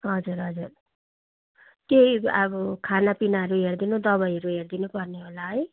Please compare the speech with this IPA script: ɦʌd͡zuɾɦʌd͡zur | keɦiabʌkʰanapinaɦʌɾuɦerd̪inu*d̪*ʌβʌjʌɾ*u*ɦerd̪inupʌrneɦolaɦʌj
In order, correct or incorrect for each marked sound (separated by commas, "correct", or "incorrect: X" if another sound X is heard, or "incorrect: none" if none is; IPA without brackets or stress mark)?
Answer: correct, correct